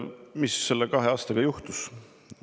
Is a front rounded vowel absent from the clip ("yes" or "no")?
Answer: yes